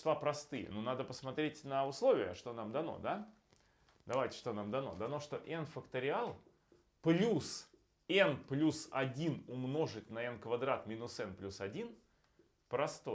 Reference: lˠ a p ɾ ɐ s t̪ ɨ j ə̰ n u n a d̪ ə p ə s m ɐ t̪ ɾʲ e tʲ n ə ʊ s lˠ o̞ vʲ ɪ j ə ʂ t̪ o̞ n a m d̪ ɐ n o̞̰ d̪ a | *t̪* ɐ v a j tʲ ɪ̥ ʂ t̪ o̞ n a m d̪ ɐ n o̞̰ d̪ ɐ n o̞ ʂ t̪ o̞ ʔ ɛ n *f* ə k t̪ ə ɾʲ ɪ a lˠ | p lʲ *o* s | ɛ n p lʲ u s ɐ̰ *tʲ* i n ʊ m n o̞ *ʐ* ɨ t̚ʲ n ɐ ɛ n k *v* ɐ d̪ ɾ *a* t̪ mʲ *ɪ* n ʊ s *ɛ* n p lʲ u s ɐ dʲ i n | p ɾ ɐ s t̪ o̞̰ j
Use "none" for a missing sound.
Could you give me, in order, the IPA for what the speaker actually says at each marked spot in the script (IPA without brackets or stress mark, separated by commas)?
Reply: d̪, f, u, dʲ, ʐ, v, a, i, ɛ